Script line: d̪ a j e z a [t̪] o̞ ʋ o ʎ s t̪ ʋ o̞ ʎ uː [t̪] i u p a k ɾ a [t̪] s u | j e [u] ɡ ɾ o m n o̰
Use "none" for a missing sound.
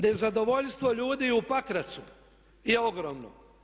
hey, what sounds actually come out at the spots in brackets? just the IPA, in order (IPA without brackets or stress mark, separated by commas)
d̪, d̪, t̪, o